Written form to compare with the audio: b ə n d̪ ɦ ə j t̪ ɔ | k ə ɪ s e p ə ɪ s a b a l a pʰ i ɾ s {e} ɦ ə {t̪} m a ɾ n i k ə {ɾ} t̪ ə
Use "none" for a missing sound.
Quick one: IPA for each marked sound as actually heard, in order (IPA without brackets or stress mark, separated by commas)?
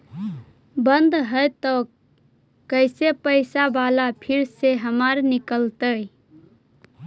e, none, l